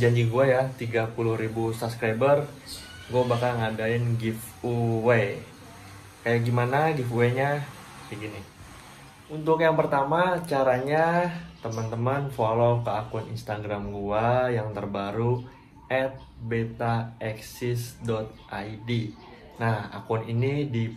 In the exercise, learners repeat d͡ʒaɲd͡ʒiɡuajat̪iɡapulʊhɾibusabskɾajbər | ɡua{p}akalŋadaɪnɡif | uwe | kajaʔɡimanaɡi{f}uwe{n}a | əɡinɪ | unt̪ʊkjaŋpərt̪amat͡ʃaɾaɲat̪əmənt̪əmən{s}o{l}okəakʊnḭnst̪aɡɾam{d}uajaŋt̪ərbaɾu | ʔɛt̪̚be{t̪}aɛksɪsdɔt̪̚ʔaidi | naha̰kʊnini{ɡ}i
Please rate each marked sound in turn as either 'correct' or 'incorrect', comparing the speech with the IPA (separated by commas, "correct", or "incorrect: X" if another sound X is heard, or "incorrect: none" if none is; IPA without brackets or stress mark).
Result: incorrect: b, correct, incorrect: ɲ, incorrect: f, correct, incorrect: ɡ, correct, incorrect: d